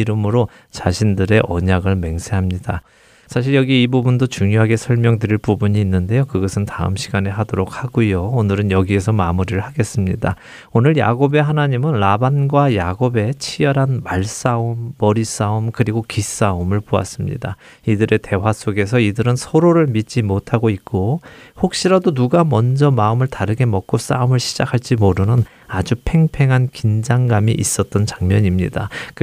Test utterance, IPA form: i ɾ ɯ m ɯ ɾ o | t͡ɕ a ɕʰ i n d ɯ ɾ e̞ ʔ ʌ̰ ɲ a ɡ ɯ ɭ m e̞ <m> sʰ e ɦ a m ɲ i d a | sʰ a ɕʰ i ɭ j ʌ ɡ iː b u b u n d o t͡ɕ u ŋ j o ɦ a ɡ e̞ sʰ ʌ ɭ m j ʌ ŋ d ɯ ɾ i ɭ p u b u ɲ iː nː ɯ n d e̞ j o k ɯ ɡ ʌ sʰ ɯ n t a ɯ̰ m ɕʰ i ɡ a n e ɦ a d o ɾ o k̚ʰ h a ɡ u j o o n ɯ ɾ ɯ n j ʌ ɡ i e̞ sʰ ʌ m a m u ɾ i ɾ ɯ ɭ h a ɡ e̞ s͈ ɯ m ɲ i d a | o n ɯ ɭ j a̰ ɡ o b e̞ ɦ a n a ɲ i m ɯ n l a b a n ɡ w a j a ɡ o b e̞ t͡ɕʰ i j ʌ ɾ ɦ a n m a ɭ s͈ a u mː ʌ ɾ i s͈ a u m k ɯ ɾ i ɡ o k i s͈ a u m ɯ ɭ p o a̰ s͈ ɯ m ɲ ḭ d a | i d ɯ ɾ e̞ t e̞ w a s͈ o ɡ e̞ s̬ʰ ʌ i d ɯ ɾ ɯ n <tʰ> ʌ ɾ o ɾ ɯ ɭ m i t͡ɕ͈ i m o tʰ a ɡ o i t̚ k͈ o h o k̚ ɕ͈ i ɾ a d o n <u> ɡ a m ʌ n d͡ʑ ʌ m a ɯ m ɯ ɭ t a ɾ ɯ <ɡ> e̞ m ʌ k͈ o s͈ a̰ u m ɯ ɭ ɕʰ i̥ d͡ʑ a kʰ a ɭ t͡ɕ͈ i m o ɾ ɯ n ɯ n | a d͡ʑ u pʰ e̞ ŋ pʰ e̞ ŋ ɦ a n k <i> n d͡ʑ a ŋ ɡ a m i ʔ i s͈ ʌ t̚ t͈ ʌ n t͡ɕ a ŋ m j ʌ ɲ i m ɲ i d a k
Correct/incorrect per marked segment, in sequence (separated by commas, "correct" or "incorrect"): incorrect, incorrect, correct, correct, correct